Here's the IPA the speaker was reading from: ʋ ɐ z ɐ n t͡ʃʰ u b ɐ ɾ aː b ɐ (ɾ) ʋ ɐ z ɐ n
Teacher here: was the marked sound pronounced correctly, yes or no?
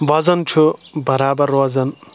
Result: yes